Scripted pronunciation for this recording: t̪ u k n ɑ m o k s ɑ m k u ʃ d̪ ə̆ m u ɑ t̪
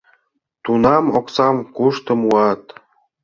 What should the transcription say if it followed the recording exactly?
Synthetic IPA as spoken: t̪ u n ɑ m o k s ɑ m k u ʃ t̪ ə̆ m u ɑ t̪